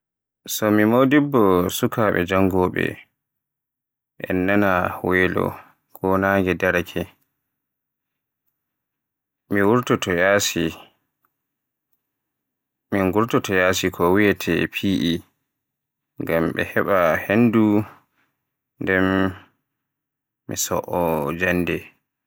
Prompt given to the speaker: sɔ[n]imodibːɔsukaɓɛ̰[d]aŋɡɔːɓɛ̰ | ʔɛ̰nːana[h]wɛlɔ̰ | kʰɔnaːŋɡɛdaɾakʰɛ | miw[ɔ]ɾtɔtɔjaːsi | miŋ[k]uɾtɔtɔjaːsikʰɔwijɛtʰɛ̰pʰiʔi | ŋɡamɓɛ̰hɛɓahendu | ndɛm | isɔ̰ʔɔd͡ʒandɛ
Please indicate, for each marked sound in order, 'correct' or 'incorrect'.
incorrect, incorrect, correct, incorrect, incorrect

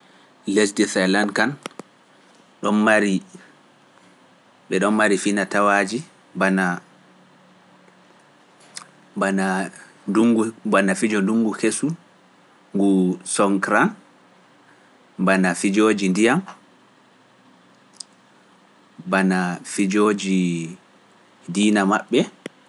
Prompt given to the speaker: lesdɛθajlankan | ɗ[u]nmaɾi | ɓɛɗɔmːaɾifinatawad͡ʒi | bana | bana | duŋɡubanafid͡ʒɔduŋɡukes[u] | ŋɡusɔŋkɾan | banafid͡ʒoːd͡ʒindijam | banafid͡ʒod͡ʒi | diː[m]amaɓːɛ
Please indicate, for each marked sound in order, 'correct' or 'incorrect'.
incorrect, correct, incorrect

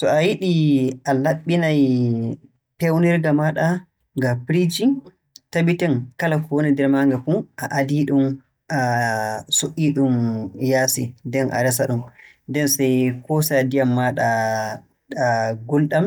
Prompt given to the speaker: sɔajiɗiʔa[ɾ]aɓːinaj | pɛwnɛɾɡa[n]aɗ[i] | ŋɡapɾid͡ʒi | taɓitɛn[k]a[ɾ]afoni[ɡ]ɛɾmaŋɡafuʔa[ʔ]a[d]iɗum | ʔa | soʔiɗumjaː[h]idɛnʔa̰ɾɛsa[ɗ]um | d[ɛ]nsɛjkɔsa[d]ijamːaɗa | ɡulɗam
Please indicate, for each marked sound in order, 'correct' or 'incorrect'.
incorrect, incorrect, incorrect, correct, incorrect, incorrect, correct, correct, incorrect, correct, correct, correct

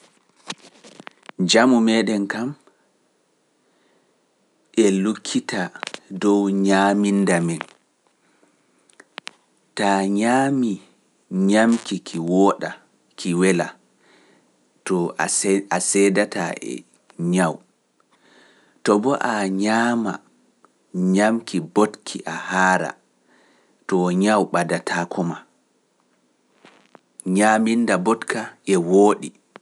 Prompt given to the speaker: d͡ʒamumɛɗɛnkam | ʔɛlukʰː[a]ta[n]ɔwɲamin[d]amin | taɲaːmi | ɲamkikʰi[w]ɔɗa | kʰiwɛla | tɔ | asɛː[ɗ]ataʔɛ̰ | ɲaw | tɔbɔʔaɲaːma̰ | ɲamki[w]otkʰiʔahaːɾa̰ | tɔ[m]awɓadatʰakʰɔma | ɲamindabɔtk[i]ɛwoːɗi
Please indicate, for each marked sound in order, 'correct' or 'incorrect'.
incorrect, incorrect, correct, correct, incorrect, incorrect, incorrect, incorrect

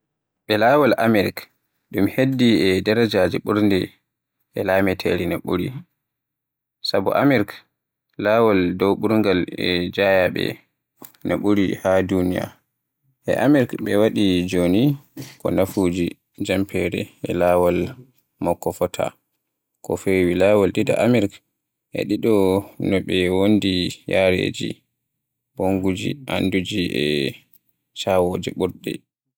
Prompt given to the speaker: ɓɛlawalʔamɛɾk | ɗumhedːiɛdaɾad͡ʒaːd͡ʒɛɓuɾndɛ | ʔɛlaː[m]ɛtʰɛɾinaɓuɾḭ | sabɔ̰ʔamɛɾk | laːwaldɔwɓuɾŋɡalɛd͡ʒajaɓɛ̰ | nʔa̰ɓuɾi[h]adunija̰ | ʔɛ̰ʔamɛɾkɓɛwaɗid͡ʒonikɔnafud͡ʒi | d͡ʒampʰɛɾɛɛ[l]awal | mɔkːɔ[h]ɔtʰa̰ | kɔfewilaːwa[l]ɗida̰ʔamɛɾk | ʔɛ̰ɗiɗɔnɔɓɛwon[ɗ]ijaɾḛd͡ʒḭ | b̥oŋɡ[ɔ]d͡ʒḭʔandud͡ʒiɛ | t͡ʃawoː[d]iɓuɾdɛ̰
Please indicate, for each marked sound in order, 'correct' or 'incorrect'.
correct, correct, correct, incorrect, correct, incorrect, incorrect, incorrect

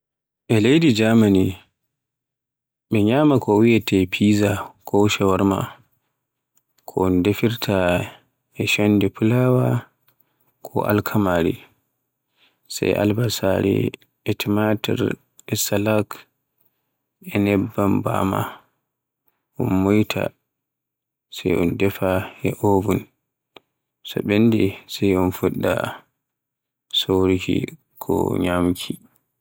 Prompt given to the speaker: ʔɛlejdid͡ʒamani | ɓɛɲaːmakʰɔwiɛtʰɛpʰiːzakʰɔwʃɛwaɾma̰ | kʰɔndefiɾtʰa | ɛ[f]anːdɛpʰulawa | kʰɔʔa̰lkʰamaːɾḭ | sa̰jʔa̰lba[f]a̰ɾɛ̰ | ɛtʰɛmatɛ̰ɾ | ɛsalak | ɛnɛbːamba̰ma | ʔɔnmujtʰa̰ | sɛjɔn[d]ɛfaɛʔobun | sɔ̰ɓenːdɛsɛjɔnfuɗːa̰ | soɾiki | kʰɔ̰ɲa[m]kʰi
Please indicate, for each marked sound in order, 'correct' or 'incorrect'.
incorrect, incorrect, correct, correct

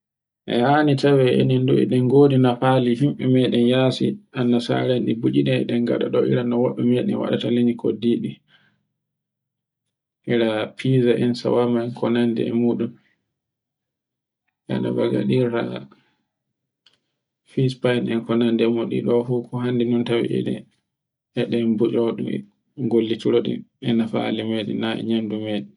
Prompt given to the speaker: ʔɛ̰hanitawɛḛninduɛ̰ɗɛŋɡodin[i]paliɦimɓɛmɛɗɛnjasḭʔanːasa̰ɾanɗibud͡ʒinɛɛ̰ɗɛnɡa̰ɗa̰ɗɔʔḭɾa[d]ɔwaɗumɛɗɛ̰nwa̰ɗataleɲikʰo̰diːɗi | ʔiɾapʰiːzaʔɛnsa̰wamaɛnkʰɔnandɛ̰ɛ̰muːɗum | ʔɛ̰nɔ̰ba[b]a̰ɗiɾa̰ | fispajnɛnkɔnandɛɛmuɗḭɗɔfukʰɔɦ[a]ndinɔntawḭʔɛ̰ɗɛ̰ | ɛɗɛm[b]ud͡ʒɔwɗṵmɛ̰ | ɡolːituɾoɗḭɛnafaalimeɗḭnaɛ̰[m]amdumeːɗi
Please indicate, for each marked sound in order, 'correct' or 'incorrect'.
incorrect, incorrect, incorrect, correct, correct, incorrect

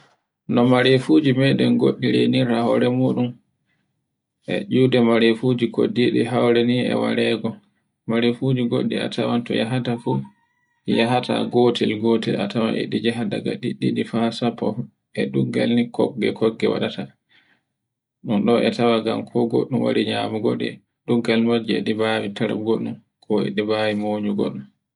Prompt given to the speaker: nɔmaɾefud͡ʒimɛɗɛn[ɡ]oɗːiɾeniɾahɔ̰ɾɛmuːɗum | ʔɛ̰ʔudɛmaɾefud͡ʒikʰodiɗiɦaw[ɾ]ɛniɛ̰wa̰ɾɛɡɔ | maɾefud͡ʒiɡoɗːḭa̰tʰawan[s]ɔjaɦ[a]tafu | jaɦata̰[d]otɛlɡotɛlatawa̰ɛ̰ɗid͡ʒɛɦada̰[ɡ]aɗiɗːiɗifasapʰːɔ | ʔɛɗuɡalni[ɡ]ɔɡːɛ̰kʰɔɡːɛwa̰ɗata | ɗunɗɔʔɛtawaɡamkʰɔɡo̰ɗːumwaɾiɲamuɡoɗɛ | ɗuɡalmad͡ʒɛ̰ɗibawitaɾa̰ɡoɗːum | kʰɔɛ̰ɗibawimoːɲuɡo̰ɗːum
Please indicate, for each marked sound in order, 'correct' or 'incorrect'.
correct, correct, incorrect, correct, incorrect, correct, incorrect

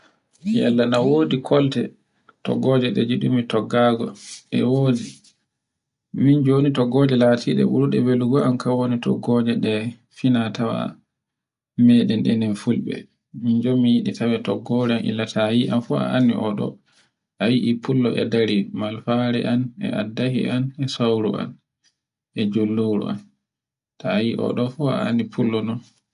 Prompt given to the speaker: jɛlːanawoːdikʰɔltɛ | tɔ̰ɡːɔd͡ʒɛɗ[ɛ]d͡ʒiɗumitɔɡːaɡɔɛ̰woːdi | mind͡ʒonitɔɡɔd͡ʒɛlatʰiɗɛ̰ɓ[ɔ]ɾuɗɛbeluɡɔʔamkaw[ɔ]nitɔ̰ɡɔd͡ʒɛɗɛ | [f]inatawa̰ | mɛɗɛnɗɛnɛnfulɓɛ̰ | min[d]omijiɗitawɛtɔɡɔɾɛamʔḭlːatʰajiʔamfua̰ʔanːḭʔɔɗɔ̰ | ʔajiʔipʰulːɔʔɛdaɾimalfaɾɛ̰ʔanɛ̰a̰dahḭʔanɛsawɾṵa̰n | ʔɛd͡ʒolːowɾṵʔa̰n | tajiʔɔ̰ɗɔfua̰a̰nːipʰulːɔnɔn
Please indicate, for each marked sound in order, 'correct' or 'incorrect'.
correct, incorrect, incorrect, correct, incorrect

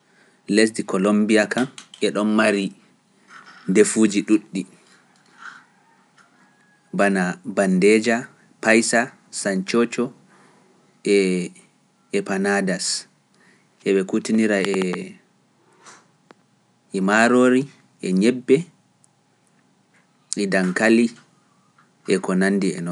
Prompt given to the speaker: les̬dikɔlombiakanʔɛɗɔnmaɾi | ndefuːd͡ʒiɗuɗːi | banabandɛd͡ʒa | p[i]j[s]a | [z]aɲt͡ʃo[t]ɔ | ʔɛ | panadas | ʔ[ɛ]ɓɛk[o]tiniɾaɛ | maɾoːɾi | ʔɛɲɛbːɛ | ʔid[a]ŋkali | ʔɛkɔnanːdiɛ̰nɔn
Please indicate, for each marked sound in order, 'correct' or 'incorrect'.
incorrect, correct, incorrect, incorrect, correct, incorrect, correct

